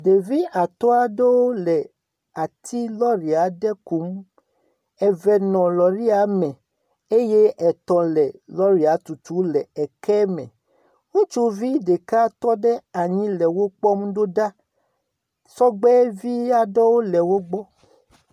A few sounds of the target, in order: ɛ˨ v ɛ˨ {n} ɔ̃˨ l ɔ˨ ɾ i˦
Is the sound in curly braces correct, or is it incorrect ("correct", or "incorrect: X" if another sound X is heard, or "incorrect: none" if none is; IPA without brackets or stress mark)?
correct